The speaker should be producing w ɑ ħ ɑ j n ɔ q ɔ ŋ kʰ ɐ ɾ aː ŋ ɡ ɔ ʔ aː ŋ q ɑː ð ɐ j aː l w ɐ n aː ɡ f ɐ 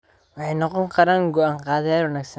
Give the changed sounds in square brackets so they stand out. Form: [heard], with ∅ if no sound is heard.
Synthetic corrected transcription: w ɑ ħ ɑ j n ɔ q ɔ ŋ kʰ ɐ ɾ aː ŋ ɡ ɔ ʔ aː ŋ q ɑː ð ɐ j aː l w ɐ n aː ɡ [s] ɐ